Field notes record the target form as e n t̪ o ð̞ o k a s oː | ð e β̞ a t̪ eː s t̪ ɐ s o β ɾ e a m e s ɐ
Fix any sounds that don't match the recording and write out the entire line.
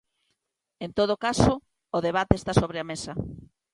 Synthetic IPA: e n t̪ o ð̞ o k a s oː | ð e β̞ a t̪ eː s t̪ a s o β ɾ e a m e s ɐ